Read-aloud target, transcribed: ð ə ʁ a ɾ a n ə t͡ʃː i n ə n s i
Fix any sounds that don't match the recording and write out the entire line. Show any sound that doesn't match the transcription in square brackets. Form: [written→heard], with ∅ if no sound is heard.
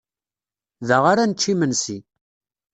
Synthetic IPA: ð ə ʁ a ɾ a n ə t͡ʃː i [n→m] ə n s i